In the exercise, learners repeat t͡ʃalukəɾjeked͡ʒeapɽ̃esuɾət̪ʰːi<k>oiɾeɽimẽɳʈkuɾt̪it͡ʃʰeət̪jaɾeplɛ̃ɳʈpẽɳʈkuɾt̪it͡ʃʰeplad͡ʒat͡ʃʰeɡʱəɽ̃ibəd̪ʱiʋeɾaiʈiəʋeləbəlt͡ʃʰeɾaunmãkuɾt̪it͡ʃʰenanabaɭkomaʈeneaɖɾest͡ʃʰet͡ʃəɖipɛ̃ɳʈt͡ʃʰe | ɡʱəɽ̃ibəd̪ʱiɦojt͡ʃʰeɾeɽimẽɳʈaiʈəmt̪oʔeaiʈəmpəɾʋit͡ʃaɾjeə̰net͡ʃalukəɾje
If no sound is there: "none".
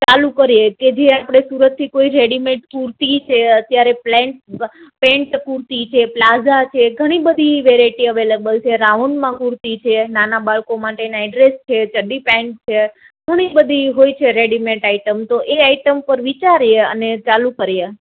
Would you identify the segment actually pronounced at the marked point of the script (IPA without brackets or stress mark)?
k